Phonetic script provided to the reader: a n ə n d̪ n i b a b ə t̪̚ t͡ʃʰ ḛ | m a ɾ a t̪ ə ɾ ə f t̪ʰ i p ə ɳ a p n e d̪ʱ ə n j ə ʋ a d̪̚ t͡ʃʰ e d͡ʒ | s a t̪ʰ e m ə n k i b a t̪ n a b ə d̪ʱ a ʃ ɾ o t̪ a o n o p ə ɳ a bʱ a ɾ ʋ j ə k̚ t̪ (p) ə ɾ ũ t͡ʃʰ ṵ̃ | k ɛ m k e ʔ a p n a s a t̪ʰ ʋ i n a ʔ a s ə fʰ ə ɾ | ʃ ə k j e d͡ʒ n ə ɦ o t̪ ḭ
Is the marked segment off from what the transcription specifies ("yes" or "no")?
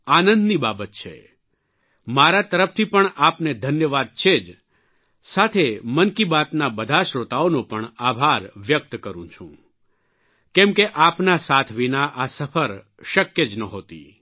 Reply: yes